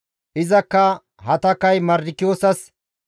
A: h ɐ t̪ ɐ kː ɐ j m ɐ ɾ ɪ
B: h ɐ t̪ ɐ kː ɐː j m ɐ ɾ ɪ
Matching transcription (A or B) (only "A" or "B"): A